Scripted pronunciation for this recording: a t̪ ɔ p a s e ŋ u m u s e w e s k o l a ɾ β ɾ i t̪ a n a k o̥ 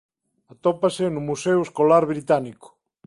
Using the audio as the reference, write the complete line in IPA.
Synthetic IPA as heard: a t̪ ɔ p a s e n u m u s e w e s k o l a ɾ β ɾ i t̪ a n i k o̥